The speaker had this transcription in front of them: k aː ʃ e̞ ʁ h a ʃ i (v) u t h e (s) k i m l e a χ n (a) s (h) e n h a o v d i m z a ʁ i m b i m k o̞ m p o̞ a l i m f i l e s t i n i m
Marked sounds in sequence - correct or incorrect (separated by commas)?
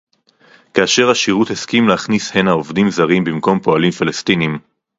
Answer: incorrect, correct, incorrect, correct